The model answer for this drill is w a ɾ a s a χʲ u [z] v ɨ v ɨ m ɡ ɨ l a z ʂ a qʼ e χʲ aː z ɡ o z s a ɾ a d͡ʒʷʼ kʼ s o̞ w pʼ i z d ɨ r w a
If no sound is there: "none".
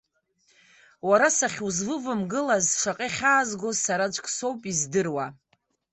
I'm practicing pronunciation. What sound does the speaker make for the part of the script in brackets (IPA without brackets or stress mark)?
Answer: z